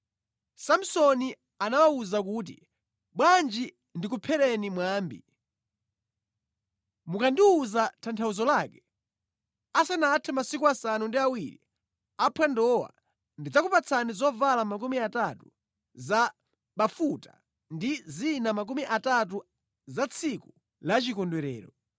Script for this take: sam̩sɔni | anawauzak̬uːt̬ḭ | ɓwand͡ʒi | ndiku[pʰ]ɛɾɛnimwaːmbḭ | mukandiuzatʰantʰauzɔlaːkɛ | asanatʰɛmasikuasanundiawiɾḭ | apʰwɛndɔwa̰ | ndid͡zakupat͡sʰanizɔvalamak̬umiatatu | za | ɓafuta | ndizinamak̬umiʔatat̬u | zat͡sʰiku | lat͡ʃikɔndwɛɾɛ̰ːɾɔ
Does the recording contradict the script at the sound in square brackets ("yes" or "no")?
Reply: no